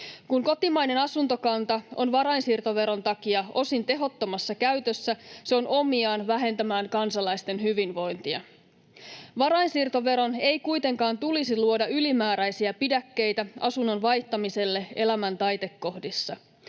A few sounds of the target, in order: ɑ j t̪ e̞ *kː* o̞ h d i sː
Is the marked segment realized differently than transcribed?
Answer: no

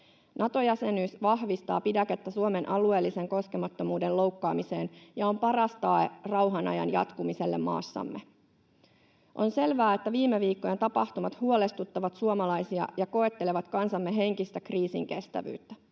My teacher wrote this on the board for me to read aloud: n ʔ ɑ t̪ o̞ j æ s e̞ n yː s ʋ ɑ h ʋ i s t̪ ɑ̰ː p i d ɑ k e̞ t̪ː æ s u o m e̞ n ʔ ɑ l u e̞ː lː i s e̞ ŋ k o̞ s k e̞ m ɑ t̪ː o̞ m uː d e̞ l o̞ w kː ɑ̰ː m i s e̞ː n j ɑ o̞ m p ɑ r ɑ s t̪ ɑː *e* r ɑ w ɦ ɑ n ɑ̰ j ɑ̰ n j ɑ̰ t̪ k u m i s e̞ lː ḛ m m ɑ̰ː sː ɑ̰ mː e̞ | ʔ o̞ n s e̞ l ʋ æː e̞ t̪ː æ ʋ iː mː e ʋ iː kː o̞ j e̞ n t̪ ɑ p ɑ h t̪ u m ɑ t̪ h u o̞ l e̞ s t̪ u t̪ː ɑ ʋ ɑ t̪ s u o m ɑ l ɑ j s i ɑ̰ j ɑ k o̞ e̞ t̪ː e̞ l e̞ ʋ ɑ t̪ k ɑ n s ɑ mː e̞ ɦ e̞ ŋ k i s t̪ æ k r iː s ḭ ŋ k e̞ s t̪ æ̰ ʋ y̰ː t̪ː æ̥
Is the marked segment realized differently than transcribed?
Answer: no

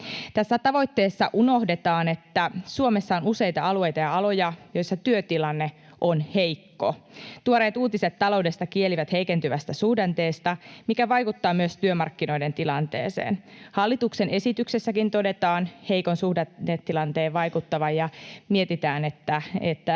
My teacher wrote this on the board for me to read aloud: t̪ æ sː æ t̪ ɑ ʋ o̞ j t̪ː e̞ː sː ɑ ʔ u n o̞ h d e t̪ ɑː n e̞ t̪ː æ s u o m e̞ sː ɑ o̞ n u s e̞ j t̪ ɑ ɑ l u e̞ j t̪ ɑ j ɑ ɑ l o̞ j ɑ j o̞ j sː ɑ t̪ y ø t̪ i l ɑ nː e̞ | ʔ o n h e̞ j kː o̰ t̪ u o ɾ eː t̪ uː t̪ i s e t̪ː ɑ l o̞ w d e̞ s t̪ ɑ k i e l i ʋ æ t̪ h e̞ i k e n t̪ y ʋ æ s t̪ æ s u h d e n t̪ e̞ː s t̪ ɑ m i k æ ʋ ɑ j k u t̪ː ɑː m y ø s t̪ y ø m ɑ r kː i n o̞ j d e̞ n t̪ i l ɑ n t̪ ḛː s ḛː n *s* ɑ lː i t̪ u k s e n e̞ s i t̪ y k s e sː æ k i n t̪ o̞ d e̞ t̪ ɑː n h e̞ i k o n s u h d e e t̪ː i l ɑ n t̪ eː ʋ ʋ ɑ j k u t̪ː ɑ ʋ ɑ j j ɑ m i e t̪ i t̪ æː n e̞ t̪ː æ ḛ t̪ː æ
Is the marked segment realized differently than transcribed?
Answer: yes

